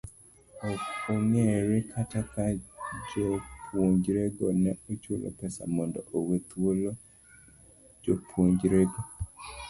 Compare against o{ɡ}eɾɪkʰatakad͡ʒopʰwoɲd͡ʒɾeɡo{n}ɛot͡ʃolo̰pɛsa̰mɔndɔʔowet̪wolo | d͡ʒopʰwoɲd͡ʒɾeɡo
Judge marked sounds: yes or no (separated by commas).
no, yes